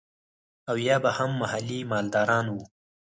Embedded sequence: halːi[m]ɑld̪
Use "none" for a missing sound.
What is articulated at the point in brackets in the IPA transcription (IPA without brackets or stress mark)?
m